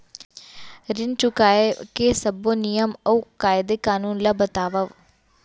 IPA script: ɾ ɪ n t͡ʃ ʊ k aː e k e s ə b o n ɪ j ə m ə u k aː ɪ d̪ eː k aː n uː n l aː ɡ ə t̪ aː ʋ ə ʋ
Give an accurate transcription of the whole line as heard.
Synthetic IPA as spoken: ɾ ɪ n t͡ʃ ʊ k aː e k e s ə b o n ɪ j ə m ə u k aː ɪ d̪ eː k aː n uː n l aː b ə t̪ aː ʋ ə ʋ